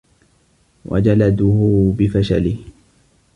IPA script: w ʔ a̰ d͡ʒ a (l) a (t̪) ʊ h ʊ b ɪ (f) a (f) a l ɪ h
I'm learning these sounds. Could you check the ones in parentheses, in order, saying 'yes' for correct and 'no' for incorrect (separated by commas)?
yes, no, yes, no